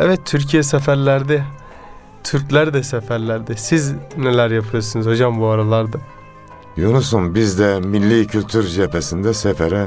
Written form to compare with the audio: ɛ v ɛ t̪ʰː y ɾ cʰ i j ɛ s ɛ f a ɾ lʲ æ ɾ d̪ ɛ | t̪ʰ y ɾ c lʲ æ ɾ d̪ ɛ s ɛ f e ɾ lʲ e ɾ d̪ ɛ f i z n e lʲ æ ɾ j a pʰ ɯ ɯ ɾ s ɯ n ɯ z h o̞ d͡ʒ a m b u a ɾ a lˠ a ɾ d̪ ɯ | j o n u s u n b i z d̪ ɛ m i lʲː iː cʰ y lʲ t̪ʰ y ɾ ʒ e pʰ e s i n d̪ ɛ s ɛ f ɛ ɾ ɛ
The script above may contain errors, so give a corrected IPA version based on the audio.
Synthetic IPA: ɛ v ɛ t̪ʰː y ɾ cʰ i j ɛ s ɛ f æ ɾ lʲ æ ɾ d̪ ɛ | t̪ʰ y ɾ c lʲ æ ɾ d̪ ɛ s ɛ f æ ɾ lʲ æ ɾ d̪ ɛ s i z n e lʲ æ ɾ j a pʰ ɯ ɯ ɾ s ɯ n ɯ z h o̞ d͡ʒ a m b u a ɾ a lˠ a ɾ d̪ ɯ | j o n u s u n b i z d̪ ɛ m i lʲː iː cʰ y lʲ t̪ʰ y ɾ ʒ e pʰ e s i n d̪ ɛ s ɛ f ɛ ɾ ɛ